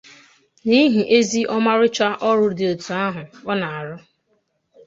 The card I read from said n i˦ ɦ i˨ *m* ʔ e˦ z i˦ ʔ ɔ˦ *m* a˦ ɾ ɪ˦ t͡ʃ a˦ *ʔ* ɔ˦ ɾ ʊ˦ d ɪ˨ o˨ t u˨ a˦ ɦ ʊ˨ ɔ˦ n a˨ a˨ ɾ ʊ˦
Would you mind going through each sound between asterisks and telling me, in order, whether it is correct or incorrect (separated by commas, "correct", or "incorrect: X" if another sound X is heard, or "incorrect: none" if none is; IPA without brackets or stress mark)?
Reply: incorrect: none, correct, correct